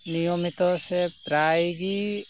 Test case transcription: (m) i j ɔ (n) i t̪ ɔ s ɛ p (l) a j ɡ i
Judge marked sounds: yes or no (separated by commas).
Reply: no, no, no